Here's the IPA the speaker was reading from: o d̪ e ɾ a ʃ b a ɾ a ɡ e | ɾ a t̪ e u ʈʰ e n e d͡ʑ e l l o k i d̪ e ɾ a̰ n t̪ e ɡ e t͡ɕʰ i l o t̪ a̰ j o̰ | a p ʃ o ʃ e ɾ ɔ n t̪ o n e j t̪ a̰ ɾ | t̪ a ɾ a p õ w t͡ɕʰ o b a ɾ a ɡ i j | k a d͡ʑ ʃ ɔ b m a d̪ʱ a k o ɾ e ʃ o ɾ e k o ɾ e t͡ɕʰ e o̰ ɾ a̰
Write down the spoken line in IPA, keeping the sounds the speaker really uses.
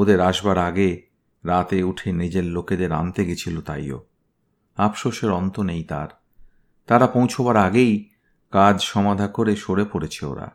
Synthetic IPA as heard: o d̪ e ɾ a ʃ b a ɾ a ɡ e | ɾ a t̪ e u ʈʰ e n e d͡ʑ e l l o k e d̪ e ɾ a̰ n t̪ e ɡ e t͡ɕʰ i l o t̪ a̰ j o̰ | a p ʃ o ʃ e ɾ ɔ n t̪ o n e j t̪ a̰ ɾ | t̪ a ɾ a p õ w t͡ɕʰ o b a ɾ a ɡ e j | k a d͡ʑ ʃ ɔ m a d̪ʱ a k o ɾ e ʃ o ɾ e p o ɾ e t͡ɕʰ e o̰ ɾ a̰